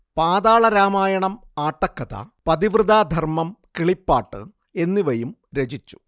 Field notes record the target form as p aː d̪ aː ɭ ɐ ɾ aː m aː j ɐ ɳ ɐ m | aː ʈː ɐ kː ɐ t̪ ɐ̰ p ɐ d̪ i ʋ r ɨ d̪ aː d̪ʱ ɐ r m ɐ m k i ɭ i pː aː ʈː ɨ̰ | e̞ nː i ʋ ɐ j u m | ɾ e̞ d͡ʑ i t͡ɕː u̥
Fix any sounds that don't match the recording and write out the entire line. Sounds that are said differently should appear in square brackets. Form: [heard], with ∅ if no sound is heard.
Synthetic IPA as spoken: p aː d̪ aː ɭ ɐ ɾ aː m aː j ɐ ɳ ɐ m | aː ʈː ɐ kː ɐ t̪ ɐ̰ p ɐ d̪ i ʋ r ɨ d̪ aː d̪ʱ ɐ r m ɐ m k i ɭ i pː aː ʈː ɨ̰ | e̞ nː i ʋ ɐ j u m | ɾ e̞ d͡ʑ i t͡ɕː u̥